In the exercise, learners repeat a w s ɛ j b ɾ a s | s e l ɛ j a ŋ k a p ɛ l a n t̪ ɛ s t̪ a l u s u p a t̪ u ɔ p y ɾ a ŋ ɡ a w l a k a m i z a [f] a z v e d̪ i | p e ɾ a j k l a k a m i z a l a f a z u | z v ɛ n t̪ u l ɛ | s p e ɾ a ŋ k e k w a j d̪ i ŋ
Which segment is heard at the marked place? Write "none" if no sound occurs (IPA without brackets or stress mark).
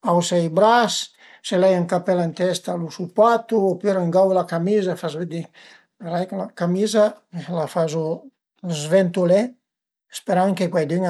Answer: f